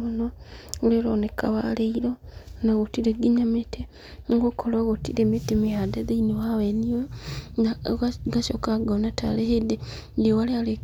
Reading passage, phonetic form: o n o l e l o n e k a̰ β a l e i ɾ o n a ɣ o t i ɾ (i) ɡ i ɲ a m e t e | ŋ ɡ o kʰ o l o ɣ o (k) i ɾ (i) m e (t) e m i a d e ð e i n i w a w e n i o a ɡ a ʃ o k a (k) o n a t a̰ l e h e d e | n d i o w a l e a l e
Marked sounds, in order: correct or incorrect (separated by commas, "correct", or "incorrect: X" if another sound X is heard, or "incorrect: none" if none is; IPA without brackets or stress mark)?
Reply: incorrect: e, incorrect: t, incorrect: e, correct, incorrect: ɡ